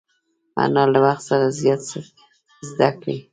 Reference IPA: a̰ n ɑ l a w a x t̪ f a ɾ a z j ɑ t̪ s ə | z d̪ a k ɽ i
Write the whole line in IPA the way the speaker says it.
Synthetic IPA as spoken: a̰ n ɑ l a w a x t̪ s a ɾ a z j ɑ t̪ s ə | z d̪ a k ɽ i